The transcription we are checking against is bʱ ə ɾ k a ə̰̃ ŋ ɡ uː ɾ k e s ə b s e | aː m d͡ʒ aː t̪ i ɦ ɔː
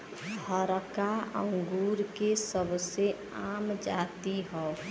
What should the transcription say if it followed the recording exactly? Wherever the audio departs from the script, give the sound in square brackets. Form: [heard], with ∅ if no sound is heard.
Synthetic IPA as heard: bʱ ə ɾ k a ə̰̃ ŋ ɡ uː ɾ k e s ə b s e | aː m d͡ʒ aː t̪ i ɦ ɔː